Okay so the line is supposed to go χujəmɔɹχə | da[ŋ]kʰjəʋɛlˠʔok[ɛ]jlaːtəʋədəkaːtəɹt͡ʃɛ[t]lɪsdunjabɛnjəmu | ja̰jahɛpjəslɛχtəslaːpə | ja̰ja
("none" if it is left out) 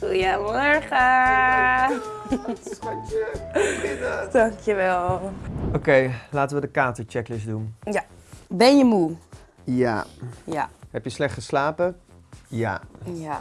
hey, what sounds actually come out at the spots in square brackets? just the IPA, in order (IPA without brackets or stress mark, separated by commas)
ŋ, e, k